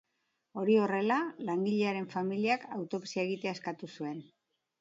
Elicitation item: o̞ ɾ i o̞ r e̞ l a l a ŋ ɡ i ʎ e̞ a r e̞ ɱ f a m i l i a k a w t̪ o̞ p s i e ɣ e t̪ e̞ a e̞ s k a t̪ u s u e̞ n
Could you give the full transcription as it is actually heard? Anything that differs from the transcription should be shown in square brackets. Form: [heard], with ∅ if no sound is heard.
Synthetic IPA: o̞ ɾ i o̞ r e̞ l a l a ŋ ɡ i ʎ e̞ a [ɾ] e̞ ɱ f a m i l i a k a w t̪ o̞ p s i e ɣ [i] t̪ e̞ a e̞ s k a t̪ u s u e̞ n